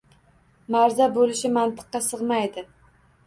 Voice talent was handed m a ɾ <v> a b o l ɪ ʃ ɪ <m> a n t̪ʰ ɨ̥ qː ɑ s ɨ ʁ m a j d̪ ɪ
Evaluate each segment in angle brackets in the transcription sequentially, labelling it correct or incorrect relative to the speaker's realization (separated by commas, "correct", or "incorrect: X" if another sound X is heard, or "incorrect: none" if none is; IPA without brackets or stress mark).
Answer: incorrect: z, correct